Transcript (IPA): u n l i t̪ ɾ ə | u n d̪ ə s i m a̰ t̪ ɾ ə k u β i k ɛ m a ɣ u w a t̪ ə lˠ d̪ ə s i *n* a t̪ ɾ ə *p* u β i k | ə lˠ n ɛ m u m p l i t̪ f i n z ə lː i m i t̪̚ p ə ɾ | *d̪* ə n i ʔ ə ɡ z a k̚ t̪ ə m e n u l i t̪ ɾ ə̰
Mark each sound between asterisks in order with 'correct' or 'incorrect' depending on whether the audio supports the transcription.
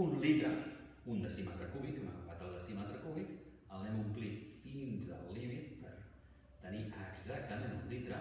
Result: incorrect: m, incorrect: k, incorrect: t̪

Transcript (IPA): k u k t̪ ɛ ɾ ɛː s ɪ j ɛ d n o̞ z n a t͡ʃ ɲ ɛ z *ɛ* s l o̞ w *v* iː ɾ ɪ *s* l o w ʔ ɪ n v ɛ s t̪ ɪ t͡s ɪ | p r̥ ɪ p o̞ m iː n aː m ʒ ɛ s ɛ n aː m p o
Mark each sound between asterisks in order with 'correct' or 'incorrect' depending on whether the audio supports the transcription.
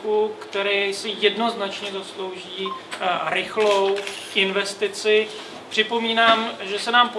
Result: incorrect: a, incorrect: ʒ, incorrect: x

